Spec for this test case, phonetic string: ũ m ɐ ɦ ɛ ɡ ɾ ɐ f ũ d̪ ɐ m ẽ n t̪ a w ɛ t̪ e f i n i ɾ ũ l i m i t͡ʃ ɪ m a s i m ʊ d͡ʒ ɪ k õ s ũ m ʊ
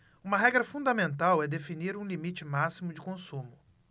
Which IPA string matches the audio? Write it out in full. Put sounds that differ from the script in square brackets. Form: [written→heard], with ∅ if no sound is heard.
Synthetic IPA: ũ m ɐ ɦ ɛ ɡ ɾ ɐ f ũ d̪ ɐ m ẽ n t̪ a w ɛ [t̪→d̪] e f i n i ɾ ũ l i m i t͡ʃ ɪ m a s i m ʊ d͡ʒ ɪ k õ s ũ m ʊ